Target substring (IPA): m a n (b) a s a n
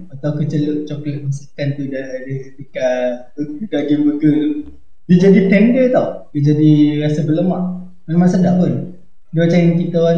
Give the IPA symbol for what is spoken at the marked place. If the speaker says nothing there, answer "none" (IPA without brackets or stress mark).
m